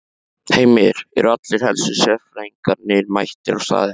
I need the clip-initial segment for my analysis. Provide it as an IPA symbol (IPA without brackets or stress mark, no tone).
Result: h